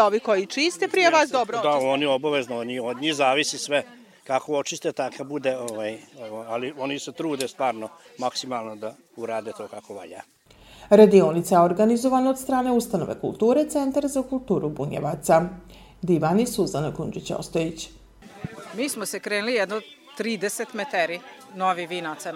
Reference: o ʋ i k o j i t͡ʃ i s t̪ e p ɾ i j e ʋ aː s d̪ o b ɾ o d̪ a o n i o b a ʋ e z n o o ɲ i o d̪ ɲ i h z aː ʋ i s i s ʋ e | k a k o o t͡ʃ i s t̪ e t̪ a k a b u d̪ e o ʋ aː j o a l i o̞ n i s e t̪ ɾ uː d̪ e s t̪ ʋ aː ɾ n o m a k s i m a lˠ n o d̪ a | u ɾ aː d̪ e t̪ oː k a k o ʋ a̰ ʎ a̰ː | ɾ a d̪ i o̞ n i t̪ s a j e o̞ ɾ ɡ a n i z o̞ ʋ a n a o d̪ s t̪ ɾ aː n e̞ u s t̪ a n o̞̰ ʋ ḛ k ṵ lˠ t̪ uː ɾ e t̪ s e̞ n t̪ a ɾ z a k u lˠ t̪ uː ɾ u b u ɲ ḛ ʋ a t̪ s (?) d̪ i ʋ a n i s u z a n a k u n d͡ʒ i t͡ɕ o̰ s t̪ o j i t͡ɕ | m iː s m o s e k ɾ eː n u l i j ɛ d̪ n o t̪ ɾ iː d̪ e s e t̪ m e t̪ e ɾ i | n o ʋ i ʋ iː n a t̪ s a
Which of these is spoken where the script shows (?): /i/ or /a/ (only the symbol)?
a